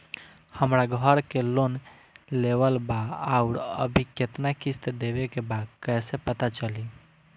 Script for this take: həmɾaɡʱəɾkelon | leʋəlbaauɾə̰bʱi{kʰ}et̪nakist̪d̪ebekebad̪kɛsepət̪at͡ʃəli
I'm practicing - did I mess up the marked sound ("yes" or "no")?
yes